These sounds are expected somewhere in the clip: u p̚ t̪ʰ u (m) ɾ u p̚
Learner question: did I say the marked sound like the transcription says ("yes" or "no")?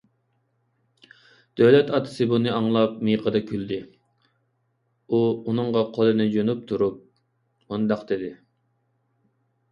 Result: no